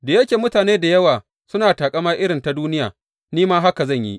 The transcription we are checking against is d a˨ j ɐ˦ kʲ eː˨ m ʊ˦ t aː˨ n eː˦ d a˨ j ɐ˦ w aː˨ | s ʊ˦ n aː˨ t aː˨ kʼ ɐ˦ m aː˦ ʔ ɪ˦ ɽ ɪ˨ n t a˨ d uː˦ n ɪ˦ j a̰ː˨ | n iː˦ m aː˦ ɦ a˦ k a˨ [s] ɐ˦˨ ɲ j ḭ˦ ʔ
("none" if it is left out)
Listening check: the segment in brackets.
z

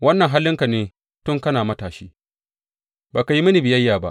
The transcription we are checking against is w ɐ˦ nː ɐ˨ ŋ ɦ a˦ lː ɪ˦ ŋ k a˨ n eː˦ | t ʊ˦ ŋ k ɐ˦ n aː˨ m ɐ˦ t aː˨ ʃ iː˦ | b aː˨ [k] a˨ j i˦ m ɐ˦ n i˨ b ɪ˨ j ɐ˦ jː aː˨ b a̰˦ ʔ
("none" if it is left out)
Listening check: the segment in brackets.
k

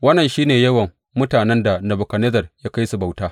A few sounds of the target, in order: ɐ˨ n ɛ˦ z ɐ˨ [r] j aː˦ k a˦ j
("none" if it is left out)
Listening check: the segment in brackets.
r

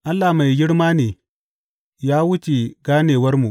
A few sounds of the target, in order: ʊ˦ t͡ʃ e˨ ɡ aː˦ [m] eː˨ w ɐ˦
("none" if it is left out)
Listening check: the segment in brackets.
n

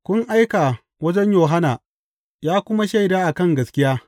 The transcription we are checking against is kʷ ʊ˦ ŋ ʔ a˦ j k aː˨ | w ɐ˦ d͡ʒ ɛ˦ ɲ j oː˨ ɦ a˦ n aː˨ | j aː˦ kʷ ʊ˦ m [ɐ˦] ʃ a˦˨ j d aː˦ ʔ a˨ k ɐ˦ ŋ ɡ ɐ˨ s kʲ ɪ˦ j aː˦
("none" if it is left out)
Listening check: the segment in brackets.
a˦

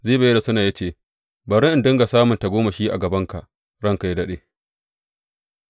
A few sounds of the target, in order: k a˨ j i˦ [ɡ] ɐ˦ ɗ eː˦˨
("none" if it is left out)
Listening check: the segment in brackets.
d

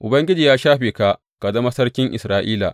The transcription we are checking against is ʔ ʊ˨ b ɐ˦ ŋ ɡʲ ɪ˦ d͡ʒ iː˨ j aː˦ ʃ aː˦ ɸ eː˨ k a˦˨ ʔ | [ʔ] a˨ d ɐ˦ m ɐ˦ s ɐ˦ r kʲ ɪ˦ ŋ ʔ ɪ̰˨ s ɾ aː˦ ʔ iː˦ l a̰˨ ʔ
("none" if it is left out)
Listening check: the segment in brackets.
k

